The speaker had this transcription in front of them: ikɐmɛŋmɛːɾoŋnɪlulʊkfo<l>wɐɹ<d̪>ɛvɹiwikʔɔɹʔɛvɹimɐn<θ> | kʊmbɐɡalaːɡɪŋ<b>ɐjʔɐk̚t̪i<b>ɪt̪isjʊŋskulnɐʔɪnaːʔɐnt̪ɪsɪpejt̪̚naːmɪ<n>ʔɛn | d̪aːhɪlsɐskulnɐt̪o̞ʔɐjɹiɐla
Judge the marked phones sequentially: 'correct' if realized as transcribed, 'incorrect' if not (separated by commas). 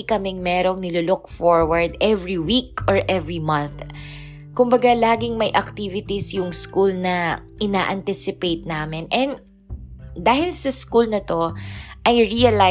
incorrect, correct, correct, incorrect, incorrect, correct